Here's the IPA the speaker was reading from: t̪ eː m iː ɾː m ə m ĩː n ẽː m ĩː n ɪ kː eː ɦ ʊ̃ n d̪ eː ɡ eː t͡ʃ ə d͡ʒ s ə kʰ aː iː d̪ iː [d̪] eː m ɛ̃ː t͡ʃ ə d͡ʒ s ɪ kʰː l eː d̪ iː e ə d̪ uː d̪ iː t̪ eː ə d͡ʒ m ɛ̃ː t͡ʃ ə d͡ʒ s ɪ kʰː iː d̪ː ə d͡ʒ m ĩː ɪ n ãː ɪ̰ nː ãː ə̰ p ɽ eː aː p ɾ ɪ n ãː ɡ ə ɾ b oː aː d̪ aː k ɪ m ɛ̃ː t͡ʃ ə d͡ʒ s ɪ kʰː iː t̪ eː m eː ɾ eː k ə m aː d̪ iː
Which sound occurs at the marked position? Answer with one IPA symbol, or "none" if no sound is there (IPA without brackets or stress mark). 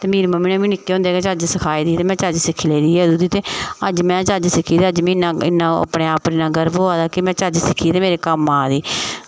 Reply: t̪